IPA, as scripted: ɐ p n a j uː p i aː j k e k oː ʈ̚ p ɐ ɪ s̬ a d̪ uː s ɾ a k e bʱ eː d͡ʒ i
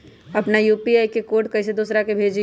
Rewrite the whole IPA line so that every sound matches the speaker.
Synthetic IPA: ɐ p n a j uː p i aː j k e k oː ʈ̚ k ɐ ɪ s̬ e d̪ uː s ɾ a k e bʱ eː d͡ʒ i